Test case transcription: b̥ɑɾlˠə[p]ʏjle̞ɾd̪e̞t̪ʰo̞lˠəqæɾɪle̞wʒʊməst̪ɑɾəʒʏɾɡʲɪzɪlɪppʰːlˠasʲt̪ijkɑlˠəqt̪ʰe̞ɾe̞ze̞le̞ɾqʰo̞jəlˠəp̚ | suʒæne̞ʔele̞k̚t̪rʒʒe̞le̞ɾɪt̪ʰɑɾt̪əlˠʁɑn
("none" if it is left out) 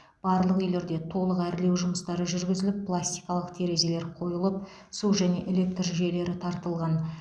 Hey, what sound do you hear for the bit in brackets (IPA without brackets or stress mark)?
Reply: q